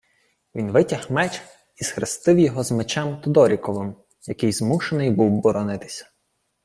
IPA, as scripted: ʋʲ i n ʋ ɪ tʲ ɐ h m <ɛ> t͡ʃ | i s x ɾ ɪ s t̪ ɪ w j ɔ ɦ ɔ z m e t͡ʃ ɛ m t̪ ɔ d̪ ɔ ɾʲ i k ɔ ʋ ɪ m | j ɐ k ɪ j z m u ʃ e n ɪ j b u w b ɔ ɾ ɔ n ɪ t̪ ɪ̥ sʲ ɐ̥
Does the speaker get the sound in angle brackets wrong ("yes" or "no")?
no